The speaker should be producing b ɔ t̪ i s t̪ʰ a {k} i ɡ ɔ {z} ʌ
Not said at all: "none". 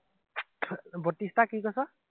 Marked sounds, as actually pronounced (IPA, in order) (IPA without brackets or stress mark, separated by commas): k, s